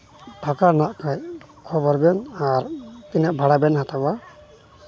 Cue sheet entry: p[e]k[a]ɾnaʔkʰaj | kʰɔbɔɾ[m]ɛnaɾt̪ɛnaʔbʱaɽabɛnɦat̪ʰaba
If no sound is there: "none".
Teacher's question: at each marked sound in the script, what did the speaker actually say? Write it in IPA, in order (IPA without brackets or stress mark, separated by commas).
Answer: a, a, b